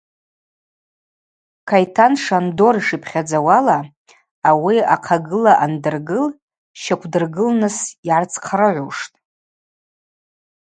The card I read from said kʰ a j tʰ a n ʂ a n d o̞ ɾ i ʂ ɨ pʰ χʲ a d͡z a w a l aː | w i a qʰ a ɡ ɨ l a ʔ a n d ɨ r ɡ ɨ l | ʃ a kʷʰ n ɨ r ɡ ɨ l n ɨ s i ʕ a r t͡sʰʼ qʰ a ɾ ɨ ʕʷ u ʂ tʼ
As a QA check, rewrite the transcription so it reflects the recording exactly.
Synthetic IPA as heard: kʰ a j tʰ a n ʂ a n d o̞ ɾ i ʂ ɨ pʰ χʲ a d͡z a w a l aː | w i a qʰ a ɡ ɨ l a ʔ a n d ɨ r ɡ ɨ l | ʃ a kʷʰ d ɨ r ɡ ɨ l n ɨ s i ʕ a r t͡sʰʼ qʰ a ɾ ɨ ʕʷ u ʂ tʼ